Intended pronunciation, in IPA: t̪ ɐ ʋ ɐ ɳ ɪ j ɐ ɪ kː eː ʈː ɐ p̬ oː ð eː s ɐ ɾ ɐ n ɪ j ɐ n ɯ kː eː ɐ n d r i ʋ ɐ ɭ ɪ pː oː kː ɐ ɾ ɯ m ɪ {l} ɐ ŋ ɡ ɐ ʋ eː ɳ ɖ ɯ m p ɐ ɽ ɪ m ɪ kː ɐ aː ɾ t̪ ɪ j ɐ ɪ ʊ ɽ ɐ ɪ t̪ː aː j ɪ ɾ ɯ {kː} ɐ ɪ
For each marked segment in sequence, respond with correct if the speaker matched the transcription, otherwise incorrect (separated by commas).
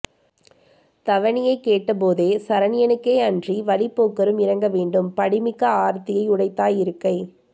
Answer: incorrect, correct